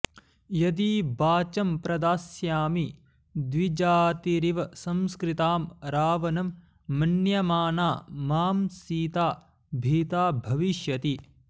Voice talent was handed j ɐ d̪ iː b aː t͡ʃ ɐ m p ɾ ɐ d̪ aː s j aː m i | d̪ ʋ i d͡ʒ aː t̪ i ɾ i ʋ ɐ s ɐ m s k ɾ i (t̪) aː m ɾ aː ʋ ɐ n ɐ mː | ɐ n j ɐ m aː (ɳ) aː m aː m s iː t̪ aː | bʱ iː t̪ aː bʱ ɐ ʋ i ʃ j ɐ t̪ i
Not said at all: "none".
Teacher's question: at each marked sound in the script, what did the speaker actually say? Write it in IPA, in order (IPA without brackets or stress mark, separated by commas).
t̪, n